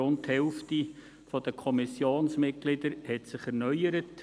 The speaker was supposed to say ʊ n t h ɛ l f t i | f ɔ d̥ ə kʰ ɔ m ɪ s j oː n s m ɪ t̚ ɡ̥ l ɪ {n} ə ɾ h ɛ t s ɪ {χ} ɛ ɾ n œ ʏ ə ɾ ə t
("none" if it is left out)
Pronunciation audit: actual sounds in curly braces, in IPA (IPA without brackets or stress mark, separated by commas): d, χ